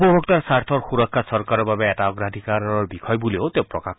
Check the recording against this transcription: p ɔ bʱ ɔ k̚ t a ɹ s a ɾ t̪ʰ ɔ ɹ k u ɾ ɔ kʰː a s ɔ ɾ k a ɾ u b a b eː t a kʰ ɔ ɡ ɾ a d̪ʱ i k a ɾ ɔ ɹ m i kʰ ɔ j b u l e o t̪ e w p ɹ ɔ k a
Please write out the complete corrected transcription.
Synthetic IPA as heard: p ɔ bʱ ɔ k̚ t a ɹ s a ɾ t̪ʰ ɔ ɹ x u ɾ ɔ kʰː a s ɔ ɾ k a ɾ ɔ b a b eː t a ɔ ɡ ɾ a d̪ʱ i k a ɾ ɔ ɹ b i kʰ ɔ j b u l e o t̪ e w p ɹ ɔ k a